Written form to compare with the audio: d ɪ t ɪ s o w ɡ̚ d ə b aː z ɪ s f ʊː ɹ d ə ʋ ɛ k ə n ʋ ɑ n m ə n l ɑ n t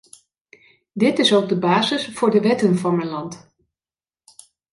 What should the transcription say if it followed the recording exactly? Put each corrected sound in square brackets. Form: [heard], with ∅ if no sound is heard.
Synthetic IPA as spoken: d ɪ t ɪ s o w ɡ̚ d ə b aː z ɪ s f ʊː ɹ d ə ʋ ɛ [t] ə n [v] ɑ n m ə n l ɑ n t